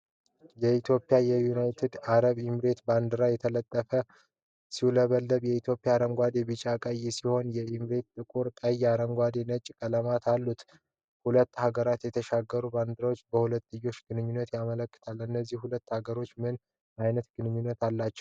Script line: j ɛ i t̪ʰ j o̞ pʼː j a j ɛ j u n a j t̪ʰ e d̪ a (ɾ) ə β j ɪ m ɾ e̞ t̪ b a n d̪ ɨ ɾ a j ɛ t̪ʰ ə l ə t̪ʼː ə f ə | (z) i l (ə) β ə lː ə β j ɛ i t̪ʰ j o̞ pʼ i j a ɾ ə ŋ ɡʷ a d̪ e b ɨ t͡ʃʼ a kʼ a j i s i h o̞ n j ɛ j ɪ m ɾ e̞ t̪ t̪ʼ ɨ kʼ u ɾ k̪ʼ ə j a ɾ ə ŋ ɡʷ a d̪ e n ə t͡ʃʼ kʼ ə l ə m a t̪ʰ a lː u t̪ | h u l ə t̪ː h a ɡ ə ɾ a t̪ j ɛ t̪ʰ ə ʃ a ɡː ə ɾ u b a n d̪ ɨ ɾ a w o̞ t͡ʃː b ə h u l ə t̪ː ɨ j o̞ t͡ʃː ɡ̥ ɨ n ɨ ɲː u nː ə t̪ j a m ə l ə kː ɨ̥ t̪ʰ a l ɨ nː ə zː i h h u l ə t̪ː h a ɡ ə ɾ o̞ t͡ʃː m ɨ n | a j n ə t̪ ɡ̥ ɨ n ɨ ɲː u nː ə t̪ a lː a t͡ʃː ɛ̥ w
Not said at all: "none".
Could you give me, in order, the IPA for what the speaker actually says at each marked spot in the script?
ɾ, s, ə

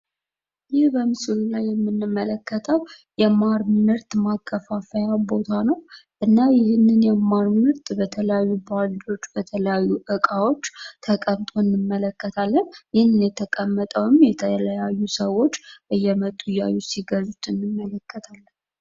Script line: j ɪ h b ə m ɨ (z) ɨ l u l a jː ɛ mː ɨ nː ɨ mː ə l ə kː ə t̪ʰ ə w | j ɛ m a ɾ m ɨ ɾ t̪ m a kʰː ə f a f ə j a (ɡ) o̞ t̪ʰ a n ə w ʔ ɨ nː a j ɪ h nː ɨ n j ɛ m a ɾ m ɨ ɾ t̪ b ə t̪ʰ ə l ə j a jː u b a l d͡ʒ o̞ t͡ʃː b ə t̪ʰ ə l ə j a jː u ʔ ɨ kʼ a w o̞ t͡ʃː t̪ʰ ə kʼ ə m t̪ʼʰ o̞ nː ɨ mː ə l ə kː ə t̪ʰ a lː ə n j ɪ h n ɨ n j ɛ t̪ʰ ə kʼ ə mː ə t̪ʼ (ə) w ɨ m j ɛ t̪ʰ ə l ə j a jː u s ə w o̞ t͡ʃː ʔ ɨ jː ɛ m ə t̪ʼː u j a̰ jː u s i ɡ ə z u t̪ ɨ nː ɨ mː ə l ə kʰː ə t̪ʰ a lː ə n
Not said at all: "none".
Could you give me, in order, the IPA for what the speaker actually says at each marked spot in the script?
s, b, ə

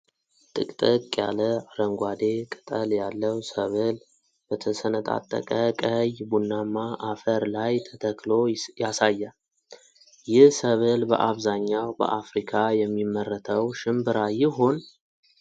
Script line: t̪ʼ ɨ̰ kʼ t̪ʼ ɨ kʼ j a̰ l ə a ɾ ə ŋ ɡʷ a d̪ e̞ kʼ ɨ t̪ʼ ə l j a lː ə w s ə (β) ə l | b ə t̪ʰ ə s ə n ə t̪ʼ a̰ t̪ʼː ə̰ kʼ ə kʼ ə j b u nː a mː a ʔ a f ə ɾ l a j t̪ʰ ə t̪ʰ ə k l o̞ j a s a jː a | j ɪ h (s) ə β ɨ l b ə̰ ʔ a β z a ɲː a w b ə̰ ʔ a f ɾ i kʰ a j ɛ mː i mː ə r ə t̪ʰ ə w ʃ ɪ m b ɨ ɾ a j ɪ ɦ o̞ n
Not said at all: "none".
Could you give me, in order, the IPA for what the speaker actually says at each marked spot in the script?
β, s

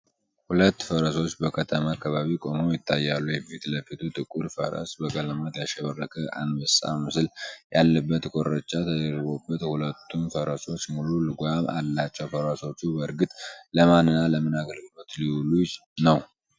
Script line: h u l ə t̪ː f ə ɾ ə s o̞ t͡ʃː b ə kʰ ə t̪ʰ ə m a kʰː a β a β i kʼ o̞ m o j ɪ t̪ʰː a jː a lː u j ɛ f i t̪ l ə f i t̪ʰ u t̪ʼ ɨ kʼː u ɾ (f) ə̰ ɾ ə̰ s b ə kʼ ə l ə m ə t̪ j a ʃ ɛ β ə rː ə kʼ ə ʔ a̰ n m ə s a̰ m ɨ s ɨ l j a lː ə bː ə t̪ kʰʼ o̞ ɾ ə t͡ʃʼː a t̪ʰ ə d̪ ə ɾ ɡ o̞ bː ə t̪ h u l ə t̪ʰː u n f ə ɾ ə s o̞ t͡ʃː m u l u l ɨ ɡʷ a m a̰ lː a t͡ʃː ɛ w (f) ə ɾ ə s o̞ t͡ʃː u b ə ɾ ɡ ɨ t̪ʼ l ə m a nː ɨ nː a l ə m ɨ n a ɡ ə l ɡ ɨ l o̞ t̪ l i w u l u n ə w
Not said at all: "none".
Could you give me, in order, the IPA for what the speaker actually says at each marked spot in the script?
f, f

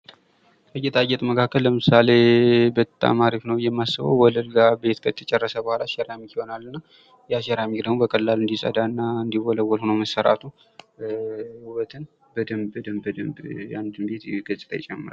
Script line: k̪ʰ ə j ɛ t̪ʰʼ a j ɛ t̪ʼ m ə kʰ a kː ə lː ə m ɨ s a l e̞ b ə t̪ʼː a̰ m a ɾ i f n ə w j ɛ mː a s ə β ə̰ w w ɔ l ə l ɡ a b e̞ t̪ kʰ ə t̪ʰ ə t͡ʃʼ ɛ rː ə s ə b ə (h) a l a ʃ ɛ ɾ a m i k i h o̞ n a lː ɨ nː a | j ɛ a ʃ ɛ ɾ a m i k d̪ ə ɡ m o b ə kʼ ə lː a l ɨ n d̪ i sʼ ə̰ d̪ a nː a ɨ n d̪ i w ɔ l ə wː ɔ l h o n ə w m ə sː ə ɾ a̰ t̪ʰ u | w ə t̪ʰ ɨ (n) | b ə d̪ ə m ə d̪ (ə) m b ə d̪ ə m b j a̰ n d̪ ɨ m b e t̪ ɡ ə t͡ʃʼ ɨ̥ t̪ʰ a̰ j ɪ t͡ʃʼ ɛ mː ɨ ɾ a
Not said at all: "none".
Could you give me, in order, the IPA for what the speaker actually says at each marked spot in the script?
h, n, ə

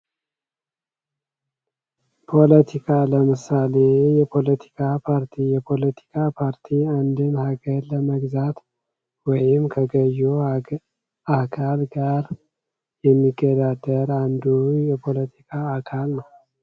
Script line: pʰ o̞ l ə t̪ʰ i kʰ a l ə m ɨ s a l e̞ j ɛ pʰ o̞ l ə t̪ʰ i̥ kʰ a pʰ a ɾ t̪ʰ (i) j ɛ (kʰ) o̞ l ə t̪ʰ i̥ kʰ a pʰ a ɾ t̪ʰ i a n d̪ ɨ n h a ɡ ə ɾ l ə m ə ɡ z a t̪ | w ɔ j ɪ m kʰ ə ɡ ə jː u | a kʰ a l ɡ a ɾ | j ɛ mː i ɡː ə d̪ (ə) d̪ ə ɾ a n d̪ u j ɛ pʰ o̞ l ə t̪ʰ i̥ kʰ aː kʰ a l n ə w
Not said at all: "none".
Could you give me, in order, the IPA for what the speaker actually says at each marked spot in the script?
i, pʰ, a

